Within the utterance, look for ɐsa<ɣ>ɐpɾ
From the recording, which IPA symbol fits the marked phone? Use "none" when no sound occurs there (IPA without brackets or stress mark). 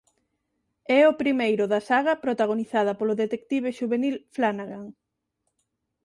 ɣ